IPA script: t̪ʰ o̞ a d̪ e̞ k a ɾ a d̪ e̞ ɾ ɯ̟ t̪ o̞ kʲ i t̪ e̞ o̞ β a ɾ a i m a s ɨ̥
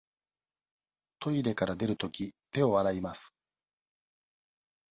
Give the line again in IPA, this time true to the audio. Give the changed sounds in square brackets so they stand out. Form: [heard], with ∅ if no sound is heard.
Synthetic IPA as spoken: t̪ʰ o̞ [i] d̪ e̞ k a ɾ a d̪ e̞ ɾ ɯ̟ t̪ o̞ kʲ i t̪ e̞ o̞ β a ɾ a i m a s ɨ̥